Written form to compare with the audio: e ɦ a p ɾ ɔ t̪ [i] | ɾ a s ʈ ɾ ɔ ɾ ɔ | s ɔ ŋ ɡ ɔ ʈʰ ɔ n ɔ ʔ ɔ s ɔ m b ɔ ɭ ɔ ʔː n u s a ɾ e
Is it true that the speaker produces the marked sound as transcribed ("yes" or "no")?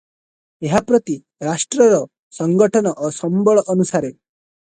yes